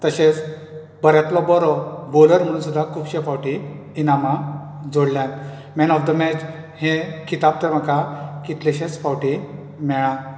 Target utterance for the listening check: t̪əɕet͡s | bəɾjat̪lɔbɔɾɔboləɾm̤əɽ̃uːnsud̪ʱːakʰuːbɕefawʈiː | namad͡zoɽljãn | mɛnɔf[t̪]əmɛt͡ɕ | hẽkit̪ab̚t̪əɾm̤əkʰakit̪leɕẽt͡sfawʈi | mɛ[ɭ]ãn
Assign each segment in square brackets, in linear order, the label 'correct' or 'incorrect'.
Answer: incorrect: d̪, correct

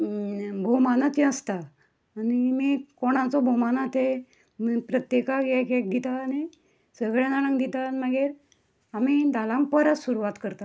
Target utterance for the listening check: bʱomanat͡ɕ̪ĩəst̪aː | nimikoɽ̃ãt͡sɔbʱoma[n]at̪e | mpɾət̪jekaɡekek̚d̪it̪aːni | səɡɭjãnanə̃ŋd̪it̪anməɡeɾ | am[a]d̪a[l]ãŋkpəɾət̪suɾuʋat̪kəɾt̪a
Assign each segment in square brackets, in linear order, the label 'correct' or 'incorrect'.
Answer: correct, incorrect: i, correct

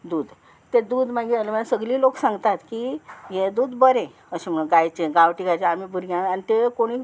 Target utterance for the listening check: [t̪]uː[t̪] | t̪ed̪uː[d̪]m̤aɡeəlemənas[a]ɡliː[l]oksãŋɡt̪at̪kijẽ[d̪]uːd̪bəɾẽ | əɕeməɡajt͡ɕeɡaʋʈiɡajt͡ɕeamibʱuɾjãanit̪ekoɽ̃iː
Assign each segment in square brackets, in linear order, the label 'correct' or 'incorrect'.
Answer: incorrect: d̪, incorrect: d̪, correct, incorrect: ə, correct, correct

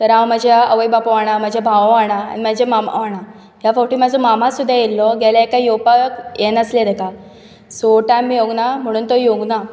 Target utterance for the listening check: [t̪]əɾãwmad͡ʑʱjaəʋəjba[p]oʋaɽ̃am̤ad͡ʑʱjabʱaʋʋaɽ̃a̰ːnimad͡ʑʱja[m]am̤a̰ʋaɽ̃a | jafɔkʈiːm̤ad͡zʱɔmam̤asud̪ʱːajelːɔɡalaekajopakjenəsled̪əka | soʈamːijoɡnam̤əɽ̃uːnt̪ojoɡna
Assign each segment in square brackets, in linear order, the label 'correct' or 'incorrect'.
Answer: correct, correct, correct

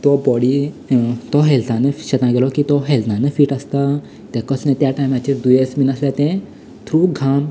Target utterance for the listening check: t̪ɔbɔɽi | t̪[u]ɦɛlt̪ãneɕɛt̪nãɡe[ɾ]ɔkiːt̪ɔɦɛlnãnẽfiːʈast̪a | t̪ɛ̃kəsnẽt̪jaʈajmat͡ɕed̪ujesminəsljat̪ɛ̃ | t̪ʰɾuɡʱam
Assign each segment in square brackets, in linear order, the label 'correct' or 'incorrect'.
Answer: incorrect: ɔ, incorrect: l

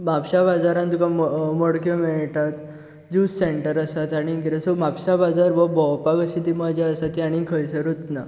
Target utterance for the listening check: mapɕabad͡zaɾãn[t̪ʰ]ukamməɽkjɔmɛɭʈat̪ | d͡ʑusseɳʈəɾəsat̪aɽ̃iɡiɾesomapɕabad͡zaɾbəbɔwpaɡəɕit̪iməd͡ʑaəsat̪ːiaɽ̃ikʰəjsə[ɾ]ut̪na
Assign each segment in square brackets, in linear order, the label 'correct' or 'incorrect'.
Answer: incorrect: t̪, correct

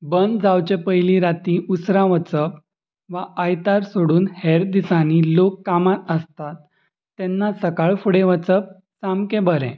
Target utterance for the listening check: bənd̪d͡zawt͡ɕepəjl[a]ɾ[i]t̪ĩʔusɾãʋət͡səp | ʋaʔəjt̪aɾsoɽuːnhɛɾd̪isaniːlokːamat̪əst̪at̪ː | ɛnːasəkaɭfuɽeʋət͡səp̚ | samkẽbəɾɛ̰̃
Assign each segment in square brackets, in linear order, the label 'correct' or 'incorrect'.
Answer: incorrect: i, incorrect: a

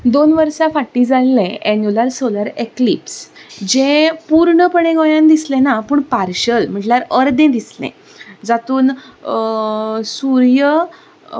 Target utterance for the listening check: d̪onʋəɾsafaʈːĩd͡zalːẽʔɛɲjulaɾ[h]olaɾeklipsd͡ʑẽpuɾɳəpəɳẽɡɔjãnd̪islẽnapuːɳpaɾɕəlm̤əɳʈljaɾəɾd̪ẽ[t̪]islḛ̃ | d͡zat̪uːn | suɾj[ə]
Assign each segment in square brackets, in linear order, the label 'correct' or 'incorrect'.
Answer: incorrect: s, incorrect: d̪, correct

